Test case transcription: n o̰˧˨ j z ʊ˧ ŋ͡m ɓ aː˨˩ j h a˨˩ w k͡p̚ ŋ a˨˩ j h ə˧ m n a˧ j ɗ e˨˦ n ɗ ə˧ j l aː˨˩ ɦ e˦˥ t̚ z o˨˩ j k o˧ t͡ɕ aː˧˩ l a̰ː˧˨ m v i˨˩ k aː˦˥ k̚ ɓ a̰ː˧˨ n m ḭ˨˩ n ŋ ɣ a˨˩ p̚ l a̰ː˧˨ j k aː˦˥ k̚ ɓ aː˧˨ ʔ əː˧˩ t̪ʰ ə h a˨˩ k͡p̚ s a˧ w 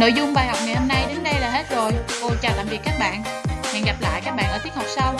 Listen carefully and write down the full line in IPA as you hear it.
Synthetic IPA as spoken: n o̰˧˨ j z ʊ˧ ŋ͡m ɓ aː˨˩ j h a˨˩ w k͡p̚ ŋ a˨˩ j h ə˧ m n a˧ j ɗ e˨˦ n ɗ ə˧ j l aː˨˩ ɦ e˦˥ t̚ z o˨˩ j k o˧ t͡ɕ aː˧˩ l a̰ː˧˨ m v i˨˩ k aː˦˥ k̚ ɓ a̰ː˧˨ n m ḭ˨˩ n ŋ ɣ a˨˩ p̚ l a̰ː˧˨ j k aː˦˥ k̚ ɓ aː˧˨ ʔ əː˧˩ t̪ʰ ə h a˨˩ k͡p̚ s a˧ w

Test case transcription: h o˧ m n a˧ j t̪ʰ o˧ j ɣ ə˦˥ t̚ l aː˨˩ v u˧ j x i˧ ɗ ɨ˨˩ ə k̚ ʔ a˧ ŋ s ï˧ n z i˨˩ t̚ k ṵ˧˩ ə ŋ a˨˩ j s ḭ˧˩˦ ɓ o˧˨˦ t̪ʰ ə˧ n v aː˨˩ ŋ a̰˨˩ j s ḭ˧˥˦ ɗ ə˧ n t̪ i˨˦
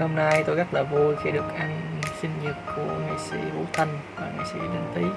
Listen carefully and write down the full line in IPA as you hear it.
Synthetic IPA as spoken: h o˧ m n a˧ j t̪ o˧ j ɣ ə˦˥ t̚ l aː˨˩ v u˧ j x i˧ ɗ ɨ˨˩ ə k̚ ʔ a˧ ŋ s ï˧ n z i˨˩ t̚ k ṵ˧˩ ə ŋ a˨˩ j s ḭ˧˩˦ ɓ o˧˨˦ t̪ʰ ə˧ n v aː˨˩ ŋ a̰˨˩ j s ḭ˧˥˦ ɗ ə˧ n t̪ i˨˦

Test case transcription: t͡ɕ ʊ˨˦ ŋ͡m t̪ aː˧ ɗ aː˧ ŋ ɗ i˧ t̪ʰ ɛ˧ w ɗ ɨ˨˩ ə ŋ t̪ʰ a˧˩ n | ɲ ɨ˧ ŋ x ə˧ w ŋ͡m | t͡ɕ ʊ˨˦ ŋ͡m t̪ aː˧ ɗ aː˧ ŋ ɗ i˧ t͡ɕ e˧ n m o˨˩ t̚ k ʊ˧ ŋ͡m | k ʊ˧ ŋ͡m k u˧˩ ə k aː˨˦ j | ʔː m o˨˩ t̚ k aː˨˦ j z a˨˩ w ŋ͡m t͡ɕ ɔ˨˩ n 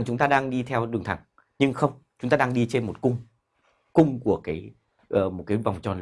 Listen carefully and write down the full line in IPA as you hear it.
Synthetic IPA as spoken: t͡ɕ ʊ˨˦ ŋ͡m t̪ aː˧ ɗ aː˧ ŋ ɗ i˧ t̪ʰ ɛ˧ w ɗ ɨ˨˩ ə ŋ t̪ʰ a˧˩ ŋ | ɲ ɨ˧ ŋ x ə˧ w ŋ͡m | t͡ɕ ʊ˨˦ ŋ͡m t̪ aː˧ ɗ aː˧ ŋ ɗ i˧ t͡ɕ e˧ n m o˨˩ t̚ k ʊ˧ ŋ͡m | k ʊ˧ ŋ͡m k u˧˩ ə k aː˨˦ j | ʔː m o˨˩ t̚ k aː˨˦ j v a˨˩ w ŋ͡m t͡ɕ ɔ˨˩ n

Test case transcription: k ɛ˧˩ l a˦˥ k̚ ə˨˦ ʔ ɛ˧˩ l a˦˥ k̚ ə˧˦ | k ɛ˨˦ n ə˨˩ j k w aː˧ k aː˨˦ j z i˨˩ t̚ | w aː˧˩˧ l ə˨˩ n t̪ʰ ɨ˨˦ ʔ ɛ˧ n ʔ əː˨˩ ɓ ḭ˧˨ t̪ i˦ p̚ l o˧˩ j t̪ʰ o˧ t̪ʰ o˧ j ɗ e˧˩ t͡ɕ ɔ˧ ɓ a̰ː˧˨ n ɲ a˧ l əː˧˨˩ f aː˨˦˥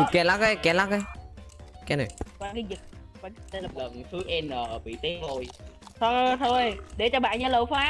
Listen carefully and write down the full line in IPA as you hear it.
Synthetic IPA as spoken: k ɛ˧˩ l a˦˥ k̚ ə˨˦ k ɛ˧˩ l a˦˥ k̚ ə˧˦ | k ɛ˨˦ n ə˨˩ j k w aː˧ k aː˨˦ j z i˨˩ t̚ | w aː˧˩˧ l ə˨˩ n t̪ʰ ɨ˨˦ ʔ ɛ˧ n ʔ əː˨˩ ɓ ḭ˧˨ t̪ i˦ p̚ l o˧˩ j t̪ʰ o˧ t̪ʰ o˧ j ɗ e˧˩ t͡ɕ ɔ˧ ɓ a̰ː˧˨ n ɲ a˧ l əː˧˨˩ f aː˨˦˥

